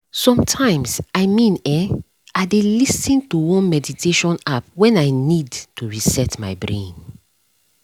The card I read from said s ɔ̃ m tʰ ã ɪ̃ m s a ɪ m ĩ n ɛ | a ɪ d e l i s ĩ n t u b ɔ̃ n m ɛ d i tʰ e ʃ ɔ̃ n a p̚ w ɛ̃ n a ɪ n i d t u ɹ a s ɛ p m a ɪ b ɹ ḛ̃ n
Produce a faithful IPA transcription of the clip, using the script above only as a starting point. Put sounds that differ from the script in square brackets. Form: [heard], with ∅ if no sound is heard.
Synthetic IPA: s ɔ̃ m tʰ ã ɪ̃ m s a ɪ m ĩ n ɛ | a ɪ d e l i s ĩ n t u [w] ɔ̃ n m ɛ d i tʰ e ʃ ɔ̃ n a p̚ w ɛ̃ n a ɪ n i d t u ɹ [i] s ɛ [t] m a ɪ b ɹ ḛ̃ n